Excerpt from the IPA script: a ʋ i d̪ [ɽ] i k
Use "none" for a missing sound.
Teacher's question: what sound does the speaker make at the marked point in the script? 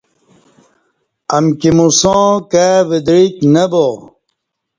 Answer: ɾ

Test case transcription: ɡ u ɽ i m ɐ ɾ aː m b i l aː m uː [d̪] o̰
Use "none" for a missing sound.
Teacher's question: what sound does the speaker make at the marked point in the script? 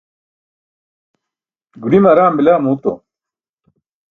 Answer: t̪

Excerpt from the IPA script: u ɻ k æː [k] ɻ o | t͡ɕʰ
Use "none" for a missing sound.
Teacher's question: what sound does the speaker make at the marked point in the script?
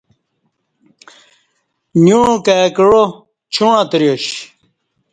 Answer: k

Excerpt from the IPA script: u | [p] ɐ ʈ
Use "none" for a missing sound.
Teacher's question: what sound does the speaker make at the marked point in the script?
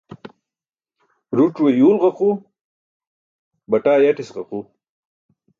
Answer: b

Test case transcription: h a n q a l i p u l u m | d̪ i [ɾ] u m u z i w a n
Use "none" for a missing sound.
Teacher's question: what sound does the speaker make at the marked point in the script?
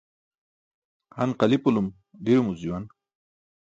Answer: ɾ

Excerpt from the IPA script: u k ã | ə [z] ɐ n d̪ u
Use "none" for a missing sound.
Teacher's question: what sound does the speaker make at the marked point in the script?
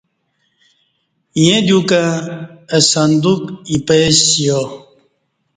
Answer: s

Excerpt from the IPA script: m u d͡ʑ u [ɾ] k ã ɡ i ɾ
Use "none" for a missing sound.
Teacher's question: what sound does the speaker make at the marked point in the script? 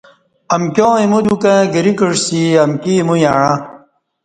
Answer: none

